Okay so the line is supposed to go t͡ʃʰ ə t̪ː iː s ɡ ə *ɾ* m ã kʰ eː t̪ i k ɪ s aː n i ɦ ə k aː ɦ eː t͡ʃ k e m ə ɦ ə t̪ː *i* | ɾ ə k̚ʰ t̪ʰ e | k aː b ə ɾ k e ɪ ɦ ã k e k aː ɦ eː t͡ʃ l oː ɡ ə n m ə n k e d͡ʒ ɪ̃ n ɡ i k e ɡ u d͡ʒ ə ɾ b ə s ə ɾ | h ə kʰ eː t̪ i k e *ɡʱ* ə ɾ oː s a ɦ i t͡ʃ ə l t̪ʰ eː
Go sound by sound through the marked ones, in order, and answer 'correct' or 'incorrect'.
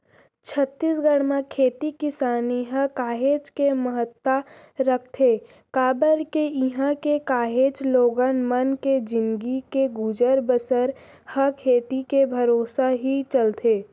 incorrect: ɽ, incorrect: a, incorrect: bʱ

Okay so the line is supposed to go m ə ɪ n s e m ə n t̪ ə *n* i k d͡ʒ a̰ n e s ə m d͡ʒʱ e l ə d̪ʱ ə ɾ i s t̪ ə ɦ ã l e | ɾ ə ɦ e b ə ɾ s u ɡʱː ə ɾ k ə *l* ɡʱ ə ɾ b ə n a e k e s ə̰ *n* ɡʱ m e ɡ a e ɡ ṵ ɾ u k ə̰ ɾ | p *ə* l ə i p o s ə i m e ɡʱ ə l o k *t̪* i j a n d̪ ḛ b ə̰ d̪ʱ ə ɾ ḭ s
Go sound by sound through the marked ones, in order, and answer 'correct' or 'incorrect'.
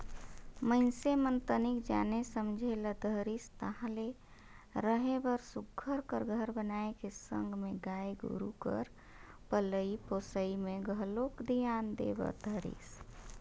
correct, incorrect: ɾ, incorrect: ŋ, correct, incorrect: d̪

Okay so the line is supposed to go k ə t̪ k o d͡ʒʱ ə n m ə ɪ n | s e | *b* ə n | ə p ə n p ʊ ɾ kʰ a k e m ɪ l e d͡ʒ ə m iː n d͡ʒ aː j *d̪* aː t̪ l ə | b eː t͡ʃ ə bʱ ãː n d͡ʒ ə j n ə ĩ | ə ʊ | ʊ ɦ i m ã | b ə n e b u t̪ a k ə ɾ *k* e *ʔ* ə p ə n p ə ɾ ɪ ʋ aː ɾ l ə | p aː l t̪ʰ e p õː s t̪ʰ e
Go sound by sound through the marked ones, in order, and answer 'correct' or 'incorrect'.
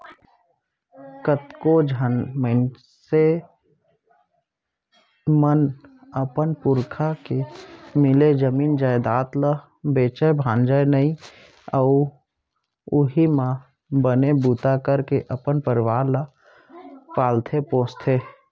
incorrect: m, correct, correct, correct

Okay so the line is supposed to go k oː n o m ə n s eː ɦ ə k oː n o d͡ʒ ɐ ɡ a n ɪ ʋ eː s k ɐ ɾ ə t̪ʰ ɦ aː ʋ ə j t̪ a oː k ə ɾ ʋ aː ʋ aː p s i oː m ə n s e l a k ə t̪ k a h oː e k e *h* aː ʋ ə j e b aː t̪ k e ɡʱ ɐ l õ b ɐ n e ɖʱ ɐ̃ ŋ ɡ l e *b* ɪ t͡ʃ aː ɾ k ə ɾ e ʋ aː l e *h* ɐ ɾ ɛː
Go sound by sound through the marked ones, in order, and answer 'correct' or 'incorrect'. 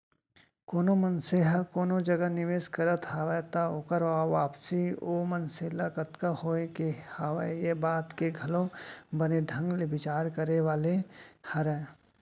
correct, correct, correct

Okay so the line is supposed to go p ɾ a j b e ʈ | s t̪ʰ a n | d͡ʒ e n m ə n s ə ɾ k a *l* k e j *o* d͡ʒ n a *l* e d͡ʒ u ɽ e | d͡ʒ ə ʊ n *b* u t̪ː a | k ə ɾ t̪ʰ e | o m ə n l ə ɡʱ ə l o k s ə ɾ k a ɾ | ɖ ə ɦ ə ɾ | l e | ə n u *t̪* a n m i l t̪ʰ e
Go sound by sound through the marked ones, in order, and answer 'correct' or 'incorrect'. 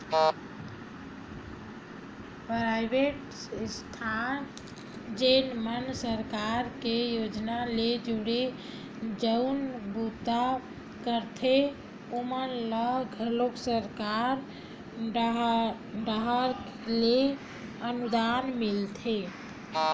incorrect: ɾ, correct, correct, correct, incorrect: d̪

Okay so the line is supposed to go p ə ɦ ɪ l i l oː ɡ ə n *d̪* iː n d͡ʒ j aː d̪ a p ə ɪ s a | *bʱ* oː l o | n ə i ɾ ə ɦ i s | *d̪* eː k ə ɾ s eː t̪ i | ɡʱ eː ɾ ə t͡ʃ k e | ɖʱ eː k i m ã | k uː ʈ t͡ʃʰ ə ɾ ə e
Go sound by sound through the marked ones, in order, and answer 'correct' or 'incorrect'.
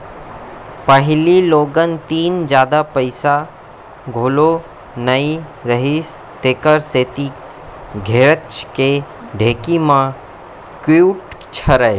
incorrect: t̪, incorrect: ɡʱ, incorrect: t̪

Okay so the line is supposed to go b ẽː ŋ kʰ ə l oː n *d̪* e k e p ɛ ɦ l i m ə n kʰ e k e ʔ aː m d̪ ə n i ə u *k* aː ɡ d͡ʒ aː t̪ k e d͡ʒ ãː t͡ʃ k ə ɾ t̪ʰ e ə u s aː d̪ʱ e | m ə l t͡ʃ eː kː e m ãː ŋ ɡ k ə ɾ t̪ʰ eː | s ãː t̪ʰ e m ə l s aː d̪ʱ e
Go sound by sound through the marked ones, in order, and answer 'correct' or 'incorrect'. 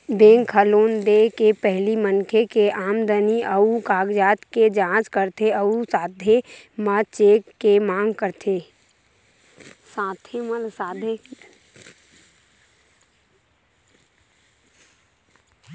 correct, correct

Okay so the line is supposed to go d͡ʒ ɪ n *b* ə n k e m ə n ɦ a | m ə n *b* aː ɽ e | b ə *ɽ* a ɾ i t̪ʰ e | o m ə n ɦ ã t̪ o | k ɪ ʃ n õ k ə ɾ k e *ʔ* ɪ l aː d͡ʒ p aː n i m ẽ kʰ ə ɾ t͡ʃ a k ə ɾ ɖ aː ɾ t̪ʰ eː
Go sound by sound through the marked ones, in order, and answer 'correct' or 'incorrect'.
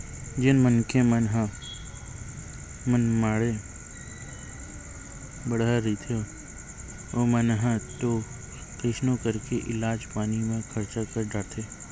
incorrect: m, incorrect: m, correct, correct

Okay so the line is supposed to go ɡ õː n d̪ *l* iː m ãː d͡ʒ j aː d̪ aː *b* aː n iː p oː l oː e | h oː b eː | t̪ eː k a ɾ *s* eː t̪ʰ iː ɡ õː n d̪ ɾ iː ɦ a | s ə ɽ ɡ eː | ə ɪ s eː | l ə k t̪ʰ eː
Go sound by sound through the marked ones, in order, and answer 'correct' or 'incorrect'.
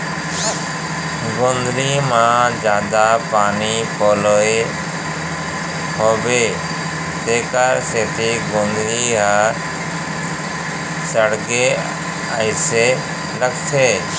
incorrect: ɾ, incorrect: p, correct

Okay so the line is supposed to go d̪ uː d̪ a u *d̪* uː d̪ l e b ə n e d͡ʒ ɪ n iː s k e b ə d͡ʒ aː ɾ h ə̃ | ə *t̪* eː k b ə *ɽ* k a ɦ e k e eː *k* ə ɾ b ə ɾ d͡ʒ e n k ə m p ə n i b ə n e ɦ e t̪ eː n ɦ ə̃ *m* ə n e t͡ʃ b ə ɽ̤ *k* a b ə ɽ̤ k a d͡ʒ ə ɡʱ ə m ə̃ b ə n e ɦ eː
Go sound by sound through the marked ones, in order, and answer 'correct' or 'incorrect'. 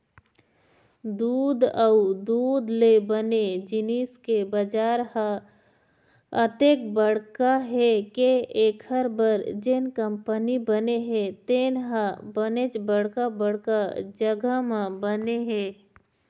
correct, correct, correct, incorrect: kʰ, incorrect: b, correct

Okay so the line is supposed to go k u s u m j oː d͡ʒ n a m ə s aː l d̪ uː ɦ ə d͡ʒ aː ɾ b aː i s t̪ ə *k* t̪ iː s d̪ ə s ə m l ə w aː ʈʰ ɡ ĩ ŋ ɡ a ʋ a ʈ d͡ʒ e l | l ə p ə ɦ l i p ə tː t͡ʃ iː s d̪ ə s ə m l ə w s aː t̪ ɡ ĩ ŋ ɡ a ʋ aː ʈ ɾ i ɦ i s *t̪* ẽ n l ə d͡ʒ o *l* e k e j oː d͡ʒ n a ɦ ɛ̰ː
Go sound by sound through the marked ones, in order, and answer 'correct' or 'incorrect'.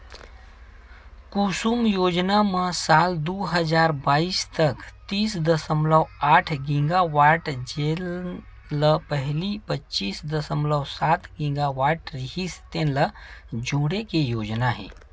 correct, correct, incorrect: ɽ

